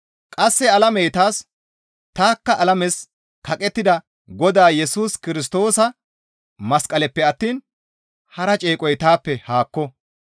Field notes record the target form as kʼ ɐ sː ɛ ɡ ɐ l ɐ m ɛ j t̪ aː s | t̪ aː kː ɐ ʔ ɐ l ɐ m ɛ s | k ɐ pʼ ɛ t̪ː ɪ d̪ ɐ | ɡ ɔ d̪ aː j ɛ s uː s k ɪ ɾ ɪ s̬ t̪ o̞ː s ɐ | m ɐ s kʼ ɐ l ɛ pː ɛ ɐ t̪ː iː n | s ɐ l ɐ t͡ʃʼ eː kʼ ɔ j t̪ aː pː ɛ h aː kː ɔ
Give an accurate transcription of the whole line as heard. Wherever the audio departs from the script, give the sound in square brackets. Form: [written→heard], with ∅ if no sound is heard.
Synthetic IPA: kʼ ɐ sː ɛ [ɡ→∅] ɐ l ɐ m ɛ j t̪ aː s | t̪ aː kː ɐ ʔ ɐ l ɐ m ɛ s | k ɐ [pʼ→kʼ] ɛ t̪ː ɪ d̪ ɐ | ɡ ɔ d̪ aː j ɛ s uː s k ɪ ɾ ɪ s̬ t̪ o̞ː s ɐ | m ɐ s kʼ ɐ l ɛ pː ɛ ɐ t̪ː iː n | [s→h] ɐ [l→ɾ] ɐ t͡ʃʼ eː kʼ ɔ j t̪ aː pː ɛ h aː kː ɔ